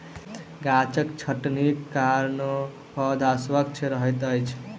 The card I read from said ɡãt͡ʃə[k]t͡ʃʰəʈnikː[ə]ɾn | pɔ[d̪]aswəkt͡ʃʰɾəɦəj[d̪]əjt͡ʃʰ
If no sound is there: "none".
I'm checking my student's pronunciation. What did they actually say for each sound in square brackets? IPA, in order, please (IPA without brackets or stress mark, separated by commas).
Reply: k, a, d̪, t̪